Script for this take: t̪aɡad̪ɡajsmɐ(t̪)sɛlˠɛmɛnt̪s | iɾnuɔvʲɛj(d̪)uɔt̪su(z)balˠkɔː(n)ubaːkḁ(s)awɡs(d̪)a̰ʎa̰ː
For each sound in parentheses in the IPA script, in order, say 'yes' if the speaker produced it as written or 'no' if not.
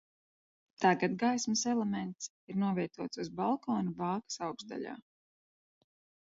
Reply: no, no, yes, yes, yes, yes

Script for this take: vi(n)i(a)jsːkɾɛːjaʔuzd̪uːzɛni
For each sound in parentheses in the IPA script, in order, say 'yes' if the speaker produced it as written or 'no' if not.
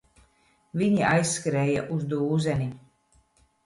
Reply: no, yes

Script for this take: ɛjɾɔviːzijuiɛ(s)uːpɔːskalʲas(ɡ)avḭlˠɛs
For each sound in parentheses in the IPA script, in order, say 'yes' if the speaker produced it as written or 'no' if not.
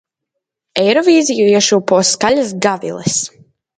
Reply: no, yes

